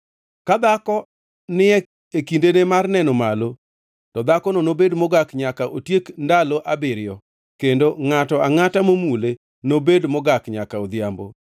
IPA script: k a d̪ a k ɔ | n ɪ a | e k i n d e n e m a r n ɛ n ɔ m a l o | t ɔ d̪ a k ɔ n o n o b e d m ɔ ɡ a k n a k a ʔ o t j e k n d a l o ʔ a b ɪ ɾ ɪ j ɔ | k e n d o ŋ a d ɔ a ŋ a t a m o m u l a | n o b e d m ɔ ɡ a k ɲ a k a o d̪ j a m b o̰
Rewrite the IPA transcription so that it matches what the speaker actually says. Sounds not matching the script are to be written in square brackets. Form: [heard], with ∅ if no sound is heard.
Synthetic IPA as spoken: k a d̪ a k ɔ | n ɪ [ɛ] | e k i n d e n e m a r n ɛ n ɔ m a l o | t ɔ d̪ a k ɔ n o n o b e d m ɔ ɡ a k [ɲ] a k a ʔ o t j e k n d a l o ʔ a b ɪ ɾ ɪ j ɔ | k e n d o ŋ a [t] ɔ a ŋ a t a m o m u l [e] | n o b e d m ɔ ɡ a k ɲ a k a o d̪ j a m b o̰

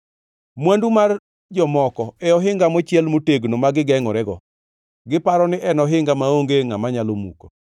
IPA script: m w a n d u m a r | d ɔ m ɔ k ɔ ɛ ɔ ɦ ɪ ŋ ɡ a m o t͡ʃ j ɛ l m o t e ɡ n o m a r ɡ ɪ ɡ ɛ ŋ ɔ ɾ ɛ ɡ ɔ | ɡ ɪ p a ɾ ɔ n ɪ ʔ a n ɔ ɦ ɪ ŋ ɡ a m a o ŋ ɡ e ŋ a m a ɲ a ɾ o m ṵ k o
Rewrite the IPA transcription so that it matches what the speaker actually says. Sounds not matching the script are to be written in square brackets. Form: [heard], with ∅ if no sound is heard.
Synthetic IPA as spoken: m w a n d u m a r | [d͡ʒ] ɔ m ɔ k ɔ ɛ ɔ ɦ ɪ ŋ ɡ a m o t͡ʃ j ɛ l m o t e ɡ n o m a [∅] ɡ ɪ ɡ ɛ ŋ ɔ ɾ ɛ ɡ ɔ | ɡ ɪ p a ɾ ɔ n ɪ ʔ [ɛ] n ɔ ɦ ɪ ŋ ɡ a m a o ŋ ɡ e ŋ a m a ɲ a [l] o m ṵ k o

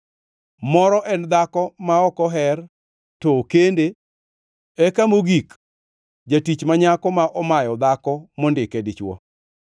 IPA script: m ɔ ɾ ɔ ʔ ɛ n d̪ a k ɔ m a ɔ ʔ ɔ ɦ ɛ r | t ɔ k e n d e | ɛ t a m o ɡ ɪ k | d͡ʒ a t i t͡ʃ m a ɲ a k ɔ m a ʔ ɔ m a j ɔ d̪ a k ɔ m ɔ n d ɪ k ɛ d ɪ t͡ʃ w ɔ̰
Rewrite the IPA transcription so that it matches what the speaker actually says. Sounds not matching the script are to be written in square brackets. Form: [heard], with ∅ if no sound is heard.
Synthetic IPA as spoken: m ɔ ɾ ɔ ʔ ɛ n d̪ a k ɔ m a ɔ [k] ɔ ɦ ɛ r | t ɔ k e n d e | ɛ [k] a m o ɡ [i] k | d͡ʒ a t i t͡ʃ m a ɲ a k ɔ m a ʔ ɔ m a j ɔ d̪ a k ɔ m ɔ n d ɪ k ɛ d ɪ t͡ʃ w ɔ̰

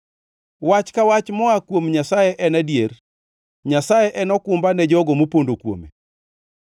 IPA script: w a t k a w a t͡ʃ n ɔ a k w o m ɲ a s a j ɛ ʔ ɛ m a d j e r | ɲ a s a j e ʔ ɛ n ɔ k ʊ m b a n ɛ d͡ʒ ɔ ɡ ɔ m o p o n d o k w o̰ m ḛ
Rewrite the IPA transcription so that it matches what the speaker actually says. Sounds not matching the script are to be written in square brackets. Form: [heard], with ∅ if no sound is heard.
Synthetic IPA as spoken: w a [t͡ʃ] k a w a t͡ʃ [m] ɔ a k w o m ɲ a s a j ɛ ʔ ɛ [n] a d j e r | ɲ a s a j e ʔ ɛ n ɔ k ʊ m b a n ɛ d͡ʒ ɔ ɡ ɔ m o p o n d o k w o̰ m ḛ

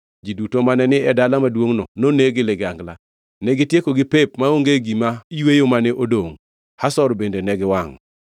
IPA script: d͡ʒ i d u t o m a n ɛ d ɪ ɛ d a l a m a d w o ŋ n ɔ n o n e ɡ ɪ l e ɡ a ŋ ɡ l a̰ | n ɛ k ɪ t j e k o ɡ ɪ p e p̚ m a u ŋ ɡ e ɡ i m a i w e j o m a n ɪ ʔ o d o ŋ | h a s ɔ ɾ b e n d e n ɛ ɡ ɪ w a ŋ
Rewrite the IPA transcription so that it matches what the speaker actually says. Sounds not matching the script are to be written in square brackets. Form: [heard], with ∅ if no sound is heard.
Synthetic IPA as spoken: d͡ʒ i d u t o m a n ɛ [n] ɪ ɛ d a l a m a d w o ŋ n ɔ n o n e ɡ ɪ l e ɡ a ŋ ɡ l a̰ | n ɛ [ɡ] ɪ t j e k o ɡ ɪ p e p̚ m a [o] ŋ ɡ e ɡ i m a i w e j o m a n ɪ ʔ o d o ŋ | h a s ɔ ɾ b e n d e n ɛ ɡ ɪ w a ŋ

